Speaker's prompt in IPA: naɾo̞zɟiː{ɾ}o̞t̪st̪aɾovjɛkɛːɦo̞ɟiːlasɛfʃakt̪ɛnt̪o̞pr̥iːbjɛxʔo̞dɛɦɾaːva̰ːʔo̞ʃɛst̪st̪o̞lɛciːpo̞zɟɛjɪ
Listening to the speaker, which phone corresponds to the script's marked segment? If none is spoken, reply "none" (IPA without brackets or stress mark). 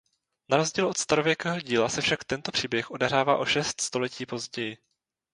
l